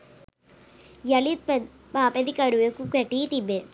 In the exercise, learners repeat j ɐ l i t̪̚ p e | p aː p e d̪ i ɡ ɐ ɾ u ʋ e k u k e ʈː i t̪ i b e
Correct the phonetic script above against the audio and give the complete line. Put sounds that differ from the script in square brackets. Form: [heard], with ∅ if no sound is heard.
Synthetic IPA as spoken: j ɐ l i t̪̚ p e | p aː p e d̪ i [k] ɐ ɾ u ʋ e k u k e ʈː i t̪ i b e